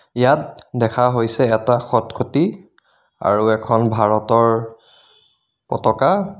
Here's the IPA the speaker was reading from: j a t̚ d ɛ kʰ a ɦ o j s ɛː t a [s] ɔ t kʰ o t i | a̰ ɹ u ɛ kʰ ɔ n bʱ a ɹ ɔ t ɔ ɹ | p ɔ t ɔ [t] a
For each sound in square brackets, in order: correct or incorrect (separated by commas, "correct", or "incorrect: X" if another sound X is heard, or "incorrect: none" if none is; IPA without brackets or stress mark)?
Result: incorrect: x, incorrect: k